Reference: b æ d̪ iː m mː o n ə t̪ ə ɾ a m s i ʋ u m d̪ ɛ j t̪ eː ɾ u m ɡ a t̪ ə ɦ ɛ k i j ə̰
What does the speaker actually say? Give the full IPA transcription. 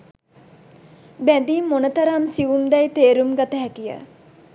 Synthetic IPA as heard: b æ d̪ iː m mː o n ə t̪ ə ɾ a m s i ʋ u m d̪ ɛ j t̪ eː ɾ u m ɡ a t̪ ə ɦ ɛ k i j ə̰

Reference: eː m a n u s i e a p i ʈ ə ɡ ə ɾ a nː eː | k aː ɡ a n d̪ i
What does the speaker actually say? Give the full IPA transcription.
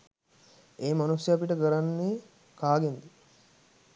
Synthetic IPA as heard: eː m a n u s j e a p i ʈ ə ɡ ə ɾ a nː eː | k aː ɡ e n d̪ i

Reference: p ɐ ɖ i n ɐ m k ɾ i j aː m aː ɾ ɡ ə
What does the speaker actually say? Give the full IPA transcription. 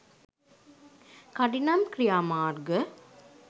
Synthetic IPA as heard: k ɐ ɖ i n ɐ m k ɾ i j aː m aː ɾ ɡ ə

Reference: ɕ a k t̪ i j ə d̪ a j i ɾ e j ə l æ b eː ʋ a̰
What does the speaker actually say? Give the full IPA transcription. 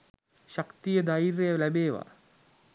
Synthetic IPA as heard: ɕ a k t̪ i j ə d̪ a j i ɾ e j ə l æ b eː ʋ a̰

